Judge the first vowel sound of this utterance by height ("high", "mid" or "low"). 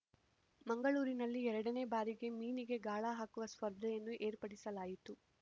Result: low